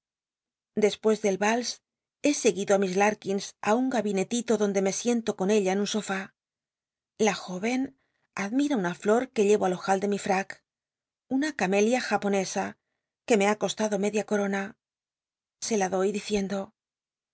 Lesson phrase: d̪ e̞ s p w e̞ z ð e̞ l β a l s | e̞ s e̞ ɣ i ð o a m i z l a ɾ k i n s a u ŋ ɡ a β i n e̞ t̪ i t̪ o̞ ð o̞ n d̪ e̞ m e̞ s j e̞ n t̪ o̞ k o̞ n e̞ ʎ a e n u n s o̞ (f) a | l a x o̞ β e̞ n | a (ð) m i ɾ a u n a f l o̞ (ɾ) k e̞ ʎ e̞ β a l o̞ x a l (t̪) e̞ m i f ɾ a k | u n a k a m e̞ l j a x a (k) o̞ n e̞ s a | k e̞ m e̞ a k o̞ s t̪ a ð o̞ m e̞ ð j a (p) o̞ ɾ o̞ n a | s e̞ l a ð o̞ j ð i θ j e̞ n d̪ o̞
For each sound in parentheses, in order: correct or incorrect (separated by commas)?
correct, correct, correct, incorrect, incorrect, incorrect